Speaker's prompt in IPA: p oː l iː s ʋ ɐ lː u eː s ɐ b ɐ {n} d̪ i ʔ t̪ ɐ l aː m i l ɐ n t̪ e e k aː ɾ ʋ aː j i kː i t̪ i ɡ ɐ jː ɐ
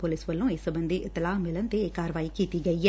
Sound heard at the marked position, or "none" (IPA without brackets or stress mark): n